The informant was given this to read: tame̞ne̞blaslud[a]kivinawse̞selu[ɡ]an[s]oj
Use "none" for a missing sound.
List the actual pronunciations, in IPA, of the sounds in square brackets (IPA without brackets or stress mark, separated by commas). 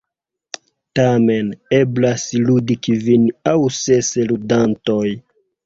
i, d, t